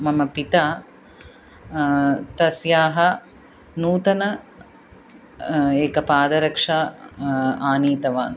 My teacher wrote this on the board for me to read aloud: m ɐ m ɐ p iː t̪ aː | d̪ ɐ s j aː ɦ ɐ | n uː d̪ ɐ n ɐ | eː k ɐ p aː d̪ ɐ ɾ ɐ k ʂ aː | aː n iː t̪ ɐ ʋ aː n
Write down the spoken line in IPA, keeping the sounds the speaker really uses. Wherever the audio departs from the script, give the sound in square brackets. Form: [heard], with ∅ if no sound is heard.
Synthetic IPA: m ɐ m ɐ p [i] t̪ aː | [t̪] ɐ s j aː ɦ ɐ | n uː [t̪] ɐ n ɐ | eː k ɐ p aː d̪ ɐ ɾ ɐ k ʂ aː | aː n iː t̪ ɐ ʋ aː n